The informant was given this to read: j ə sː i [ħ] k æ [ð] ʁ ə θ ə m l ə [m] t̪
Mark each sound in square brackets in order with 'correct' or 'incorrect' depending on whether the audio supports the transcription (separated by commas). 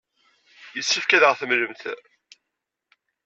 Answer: incorrect, correct, correct